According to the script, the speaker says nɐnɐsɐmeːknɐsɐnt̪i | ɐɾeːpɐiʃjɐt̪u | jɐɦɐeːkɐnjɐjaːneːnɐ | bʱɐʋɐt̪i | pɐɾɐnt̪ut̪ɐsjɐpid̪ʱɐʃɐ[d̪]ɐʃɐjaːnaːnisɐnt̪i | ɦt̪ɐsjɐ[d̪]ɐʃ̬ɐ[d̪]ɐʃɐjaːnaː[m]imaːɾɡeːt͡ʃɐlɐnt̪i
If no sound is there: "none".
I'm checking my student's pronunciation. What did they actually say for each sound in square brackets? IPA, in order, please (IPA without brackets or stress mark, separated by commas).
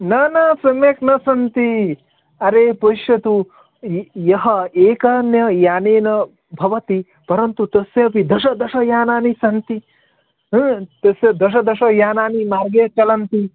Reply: d̪, d̪, d̪, n